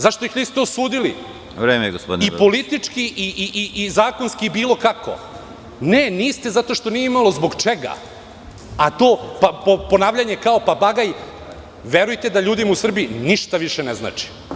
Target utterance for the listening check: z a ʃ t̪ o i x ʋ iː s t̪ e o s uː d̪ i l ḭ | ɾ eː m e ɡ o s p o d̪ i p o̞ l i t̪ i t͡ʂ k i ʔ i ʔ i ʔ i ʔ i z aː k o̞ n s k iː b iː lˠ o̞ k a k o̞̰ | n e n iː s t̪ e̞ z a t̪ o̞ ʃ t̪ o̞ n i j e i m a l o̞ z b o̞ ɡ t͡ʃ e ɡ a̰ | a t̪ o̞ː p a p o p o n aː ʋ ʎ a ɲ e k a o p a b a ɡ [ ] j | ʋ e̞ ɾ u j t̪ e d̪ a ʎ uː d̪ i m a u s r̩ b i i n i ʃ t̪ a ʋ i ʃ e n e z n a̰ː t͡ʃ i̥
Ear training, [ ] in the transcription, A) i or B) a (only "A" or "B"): B